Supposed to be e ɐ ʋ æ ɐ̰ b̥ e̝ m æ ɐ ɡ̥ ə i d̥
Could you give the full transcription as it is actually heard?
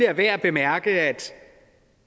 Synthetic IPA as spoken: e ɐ ʋ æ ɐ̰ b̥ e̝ m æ ɐ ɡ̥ ə æ d̥

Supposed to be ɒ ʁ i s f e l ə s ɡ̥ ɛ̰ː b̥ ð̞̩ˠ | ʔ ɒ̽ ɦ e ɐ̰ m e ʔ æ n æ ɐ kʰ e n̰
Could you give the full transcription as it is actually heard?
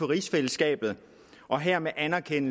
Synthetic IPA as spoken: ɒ ʁ i s f e l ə s ɡ̥ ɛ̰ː b̥ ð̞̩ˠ | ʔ ɒ̽ ɦ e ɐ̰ m e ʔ æ n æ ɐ kʰ e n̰

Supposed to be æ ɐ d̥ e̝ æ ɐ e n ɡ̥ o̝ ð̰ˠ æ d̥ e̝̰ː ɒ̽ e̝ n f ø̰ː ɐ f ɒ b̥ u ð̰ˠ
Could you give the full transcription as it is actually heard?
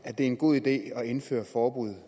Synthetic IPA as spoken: æ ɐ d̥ e̝ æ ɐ e n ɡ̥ o̝ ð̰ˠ i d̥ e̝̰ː ɒ̽ e̝ n f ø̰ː ɐ f ɒː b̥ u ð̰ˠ

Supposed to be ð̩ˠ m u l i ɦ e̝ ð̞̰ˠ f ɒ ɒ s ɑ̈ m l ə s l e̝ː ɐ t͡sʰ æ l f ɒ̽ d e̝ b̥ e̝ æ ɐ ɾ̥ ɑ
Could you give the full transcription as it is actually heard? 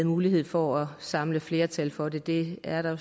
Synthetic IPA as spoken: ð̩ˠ m uː l i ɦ e̝ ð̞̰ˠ f ɒ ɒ s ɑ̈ m l ə f l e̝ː ɐ t͡sʰ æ l f ɒ̽ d e̝ d̥ e̝ æ ɐ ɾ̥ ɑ

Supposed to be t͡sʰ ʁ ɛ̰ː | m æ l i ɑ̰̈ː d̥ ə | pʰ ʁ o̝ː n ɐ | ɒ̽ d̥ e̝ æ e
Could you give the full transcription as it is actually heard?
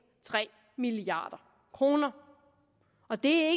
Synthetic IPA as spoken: t͡sʰ ʁ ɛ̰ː | m i l i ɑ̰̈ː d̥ ɐ | kʰ ʁ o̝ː n ɐ | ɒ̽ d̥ e̝ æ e

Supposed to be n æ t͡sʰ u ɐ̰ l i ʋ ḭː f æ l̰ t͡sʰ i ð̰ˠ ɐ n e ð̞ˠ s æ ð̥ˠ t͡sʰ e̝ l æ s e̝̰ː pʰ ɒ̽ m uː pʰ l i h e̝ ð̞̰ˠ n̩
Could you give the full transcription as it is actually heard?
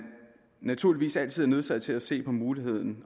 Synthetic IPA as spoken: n æ t͡sʰ u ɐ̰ l i ʋ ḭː s æ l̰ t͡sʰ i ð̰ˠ ɐ n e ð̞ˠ s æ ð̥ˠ t͡sʰ e̝ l æ s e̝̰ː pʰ ɒ̽ m uː l i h e̝ ð̞̰ˠ n̩

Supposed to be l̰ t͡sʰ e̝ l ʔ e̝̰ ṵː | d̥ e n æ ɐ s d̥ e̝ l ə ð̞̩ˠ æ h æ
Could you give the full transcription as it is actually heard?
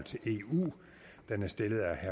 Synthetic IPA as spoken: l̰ t͡sʰ e̝ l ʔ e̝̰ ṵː | d̥ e n æ ɐ s d̥ e̝ l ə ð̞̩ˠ æ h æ

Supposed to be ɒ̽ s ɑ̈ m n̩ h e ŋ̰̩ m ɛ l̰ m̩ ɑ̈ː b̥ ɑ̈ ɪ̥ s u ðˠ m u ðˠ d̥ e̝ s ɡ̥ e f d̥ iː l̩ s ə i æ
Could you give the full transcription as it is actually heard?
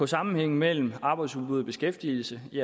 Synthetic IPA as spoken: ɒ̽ s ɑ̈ m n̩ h e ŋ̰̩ m e l̰ m̩ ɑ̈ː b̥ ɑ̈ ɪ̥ s u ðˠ b u ðˠ b̥ e̝ s ɡ̥ e f d̥ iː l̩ s ə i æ

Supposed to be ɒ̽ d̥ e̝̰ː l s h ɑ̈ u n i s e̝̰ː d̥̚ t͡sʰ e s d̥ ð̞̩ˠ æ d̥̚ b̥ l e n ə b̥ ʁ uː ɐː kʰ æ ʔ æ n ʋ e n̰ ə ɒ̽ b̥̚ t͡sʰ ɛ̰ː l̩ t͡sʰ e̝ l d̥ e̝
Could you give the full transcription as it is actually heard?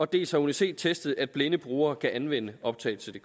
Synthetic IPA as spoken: ɒ̽ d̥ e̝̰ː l s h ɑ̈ u n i s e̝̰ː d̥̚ t͡sʰ e s d̥ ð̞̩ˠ æ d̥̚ b̥ l e n ə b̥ ʁ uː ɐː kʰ æ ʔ æ n ʋ e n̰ ə ɒ̽ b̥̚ t͡sʰ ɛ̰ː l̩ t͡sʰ e̝ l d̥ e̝

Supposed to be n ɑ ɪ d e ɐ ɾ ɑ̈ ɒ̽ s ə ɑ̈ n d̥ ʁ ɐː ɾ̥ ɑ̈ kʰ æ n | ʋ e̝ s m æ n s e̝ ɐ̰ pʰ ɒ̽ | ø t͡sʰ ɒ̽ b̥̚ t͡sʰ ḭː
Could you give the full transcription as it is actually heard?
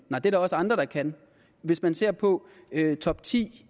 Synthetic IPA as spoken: n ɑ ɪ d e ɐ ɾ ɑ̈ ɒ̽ s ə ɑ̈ n d̥ ʁ ɐ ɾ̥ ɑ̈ kʰ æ n | ʋ e̝ s m æ n s e̝ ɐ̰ pʰ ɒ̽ | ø t͡sʰ ɒ̽ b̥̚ t͡sʰ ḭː

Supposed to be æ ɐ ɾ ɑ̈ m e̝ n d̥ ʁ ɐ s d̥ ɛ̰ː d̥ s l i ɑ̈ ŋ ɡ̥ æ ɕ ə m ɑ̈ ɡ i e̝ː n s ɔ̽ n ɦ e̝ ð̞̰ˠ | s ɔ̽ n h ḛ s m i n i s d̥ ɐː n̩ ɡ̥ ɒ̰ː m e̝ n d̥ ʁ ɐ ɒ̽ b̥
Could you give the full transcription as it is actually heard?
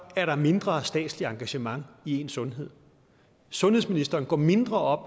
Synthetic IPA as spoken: æ ɐ ɾ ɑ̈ m e̝ n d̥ ʁ ɐ s d̥ ɛ̰ː d̥ s l i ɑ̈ ŋ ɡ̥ æ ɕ ə m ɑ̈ ŋ i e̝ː n s ɔ̽ n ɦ e̝ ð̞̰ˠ | s ɔ̽ n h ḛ s m i n i s d̥ ɐː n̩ ɡ̥ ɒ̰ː m e̝ n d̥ ʁ ɐ ɒ̽ b̥

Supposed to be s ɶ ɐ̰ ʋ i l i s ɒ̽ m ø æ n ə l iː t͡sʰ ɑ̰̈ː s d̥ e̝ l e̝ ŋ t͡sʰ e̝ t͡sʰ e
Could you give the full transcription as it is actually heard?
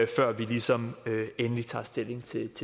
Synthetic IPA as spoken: f ɶ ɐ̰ ʋ i l i s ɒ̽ m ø e n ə l i t͡sʰ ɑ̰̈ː s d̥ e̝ l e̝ ŋ t͡sʰ e̝ t͡sʰ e

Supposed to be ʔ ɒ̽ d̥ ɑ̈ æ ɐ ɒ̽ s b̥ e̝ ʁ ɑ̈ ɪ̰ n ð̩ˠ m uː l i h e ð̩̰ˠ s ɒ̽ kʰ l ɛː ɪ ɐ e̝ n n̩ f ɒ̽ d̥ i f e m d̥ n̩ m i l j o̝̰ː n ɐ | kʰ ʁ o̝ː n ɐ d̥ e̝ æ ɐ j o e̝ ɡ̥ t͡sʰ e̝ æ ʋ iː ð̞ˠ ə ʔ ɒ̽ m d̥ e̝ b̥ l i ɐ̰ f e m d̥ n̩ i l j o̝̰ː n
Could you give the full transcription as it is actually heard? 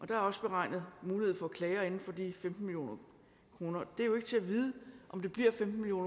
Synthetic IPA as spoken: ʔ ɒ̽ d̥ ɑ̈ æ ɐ ɒ̽ s b̥ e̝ ʁ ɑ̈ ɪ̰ n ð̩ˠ m uː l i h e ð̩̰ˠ f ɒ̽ kʰ l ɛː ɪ ɐ e̝ n n̩ f ɒ̽ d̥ i f e m d̥ n̩ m i l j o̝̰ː n ɐ | kʰ ʁ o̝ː n ɐ d̥ e̝ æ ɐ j o e̝ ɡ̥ t͡sʰ e̝ æ ʋ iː ð̞ˠ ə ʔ ɒ̽ m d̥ e̝ b̥ l i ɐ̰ f e m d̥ n̩ i l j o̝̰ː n

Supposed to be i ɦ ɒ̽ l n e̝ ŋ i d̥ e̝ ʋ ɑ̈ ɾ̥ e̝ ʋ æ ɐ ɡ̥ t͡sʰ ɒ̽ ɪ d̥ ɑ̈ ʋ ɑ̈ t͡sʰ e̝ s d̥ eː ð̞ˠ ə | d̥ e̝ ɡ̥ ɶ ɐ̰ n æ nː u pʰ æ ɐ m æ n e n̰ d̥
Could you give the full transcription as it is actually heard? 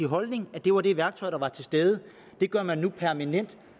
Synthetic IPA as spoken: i ɦ ɒ̽ l n e̝ ŋ æ d̥ e̝ ʋ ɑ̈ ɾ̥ e̝ ʋ æ ɐ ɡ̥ t͡sʰ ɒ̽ ɪ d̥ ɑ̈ ʋ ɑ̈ t͡sʰ e̝ s d̥ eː ð̞ˠ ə | d̥ e̝ ɡ̥ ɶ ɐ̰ m æ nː u pʰ æ ɐ m æ n e n̰ d̥

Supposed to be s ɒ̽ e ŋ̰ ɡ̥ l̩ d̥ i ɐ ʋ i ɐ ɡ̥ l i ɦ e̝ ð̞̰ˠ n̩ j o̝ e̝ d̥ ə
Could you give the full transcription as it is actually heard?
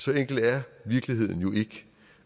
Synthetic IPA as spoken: s ɒ̽ e ŋ̰ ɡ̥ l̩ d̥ æ ɐ ʋ i ɐ ɡ̥ l i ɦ e̝ ð̞̰ˠ n̩ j o̝ e̝ ɡ̥ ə

